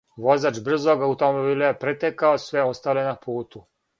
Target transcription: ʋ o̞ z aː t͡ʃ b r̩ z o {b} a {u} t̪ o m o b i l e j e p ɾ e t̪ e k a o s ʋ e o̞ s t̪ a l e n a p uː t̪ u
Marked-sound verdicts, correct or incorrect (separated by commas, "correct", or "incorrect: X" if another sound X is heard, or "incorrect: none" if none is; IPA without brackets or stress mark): incorrect: ɡ, correct